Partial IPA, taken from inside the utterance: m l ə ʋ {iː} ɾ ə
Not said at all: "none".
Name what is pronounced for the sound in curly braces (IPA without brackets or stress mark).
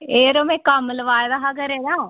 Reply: aː